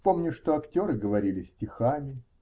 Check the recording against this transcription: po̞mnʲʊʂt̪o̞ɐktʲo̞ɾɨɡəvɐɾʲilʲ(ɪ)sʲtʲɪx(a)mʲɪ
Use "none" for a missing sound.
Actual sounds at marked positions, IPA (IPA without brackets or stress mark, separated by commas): ɪ, a